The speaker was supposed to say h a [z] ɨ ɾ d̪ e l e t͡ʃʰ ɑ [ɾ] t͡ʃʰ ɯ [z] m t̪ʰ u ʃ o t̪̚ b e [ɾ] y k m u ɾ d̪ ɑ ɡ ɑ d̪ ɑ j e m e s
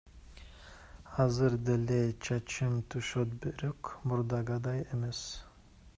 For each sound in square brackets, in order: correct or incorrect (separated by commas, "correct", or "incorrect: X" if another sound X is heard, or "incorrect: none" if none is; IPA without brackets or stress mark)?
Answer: correct, incorrect: none, incorrect: none, correct